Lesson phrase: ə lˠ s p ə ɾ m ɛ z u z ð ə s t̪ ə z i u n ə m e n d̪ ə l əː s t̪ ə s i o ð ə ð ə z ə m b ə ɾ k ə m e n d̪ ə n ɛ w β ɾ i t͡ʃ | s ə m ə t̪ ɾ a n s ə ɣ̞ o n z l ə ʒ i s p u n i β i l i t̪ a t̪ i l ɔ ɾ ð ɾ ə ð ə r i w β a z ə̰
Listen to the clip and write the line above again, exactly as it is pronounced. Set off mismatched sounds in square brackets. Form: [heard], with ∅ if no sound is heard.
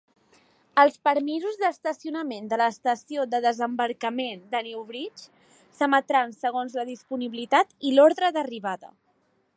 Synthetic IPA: ə lˠ s p ə ɾ m [i] z u z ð ə s t̪ ə [s] i u n ə m e n d̪ ə l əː s t̪ ə s i o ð ə ð ə z ə m b ə ɾ k ə m e n d̪ ə n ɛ w β ɾ i t͡ʃ | s ə m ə t̪ ɾ a n s ə ɣ̞ o n z l ə [ð] i s p u n i β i l i t̪ a t̪ i l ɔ ɾ ð ɾ ə ð ə r i [∅] β a [ð] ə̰